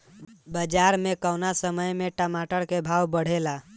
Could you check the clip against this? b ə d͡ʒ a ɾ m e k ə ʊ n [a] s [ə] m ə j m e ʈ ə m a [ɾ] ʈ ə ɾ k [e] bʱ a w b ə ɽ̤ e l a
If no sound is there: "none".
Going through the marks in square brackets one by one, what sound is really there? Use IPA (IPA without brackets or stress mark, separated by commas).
a, ə, none, e